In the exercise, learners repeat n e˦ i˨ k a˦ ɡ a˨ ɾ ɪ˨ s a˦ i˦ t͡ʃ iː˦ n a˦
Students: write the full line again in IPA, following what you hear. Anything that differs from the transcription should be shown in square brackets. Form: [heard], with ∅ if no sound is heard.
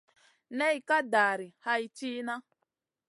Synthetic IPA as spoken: n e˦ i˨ k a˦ [d] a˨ ɾ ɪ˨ [h] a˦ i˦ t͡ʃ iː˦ n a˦